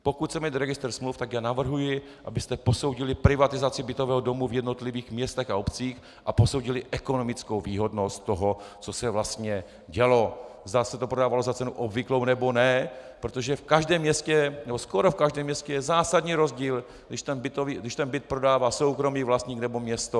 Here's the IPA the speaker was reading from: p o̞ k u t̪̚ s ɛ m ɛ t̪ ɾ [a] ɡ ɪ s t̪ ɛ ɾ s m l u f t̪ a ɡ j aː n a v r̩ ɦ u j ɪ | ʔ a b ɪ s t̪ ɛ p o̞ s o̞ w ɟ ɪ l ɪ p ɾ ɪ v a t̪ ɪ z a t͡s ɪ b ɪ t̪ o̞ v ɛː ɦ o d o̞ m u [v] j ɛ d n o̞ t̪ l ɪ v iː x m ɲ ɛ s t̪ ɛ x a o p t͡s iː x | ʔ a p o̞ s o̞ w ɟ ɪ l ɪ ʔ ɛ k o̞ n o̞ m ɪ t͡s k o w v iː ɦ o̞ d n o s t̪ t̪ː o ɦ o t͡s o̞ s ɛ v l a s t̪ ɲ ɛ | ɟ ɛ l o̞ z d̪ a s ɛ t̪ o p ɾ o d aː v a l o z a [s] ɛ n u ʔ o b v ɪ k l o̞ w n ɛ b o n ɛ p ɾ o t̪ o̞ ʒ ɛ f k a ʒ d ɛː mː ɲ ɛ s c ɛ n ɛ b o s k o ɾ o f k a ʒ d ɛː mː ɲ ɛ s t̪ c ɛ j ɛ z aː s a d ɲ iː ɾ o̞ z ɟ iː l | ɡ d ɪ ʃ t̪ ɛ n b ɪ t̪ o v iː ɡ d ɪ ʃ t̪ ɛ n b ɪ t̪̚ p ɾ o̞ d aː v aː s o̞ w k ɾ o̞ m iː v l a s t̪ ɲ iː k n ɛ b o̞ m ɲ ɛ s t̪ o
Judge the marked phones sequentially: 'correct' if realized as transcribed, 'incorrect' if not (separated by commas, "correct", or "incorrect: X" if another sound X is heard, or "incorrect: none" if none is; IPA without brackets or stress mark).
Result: incorrect: ɛ, correct, incorrect: t͡s